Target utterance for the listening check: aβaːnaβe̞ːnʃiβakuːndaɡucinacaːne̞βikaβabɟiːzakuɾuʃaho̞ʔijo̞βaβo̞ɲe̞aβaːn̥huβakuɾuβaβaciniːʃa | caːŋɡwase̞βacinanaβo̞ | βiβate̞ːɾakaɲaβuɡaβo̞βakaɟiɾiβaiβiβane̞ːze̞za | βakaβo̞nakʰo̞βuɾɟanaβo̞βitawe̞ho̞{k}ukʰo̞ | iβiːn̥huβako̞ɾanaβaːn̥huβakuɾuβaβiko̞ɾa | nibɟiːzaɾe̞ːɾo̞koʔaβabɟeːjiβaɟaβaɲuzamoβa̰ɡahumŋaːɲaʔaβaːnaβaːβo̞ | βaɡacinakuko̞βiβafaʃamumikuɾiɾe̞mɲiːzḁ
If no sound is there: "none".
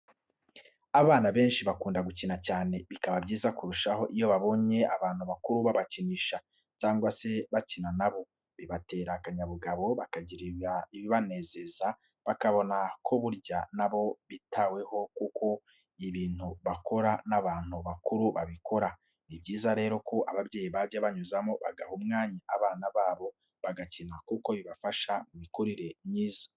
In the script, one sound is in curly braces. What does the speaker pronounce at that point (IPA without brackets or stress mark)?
k